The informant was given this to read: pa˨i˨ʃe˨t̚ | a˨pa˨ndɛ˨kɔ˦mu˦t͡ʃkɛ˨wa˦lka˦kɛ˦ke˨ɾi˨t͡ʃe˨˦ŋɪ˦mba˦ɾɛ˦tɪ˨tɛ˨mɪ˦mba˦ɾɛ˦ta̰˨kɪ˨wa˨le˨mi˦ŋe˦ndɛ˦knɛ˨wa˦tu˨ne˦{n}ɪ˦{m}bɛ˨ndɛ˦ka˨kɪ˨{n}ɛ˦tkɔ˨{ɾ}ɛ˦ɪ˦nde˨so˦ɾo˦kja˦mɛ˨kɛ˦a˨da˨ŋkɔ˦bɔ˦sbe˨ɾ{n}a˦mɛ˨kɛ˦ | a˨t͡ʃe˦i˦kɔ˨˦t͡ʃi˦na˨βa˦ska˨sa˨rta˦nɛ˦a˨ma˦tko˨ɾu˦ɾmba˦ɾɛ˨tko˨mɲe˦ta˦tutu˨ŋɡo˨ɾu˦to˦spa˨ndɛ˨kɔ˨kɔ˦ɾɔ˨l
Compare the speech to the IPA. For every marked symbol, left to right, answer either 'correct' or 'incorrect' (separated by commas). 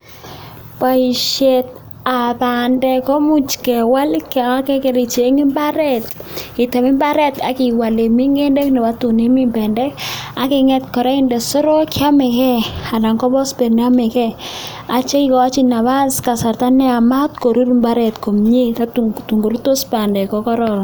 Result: incorrect, correct, incorrect, correct, correct